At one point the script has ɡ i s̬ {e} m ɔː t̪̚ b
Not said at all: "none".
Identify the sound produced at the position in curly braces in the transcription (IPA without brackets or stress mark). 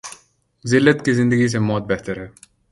e